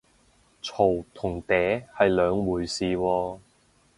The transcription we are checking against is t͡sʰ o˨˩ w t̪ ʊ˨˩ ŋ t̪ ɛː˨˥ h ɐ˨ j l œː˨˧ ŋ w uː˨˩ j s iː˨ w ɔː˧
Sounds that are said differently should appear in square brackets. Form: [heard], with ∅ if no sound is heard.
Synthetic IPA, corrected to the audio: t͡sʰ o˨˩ w [t̪ʰ] ʊ˨˩ ŋ t̪ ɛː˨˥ h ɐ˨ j l œː˨˧ ŋ w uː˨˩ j s iː˨ w ɔː˧